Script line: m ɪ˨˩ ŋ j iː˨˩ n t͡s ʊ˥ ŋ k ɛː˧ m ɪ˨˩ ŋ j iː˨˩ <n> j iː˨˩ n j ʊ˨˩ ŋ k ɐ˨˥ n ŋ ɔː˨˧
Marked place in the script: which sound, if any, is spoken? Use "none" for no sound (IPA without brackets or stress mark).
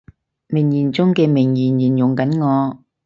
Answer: n